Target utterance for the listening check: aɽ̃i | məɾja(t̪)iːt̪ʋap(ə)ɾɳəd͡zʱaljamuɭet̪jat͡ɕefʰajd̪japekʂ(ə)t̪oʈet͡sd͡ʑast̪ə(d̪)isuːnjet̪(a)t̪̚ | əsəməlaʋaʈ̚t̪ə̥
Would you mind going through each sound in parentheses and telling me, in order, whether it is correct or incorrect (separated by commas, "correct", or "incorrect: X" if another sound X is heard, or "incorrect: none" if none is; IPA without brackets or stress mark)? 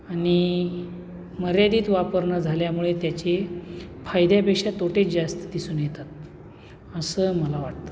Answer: incorrect: d̪, correct, incorrect: a, correct, correct